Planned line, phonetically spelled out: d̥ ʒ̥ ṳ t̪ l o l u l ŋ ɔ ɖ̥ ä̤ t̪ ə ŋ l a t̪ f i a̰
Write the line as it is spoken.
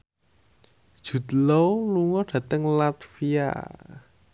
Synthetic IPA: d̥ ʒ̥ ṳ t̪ l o l u ŋ ɔ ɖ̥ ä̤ t̪ ə ŋ l a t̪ f i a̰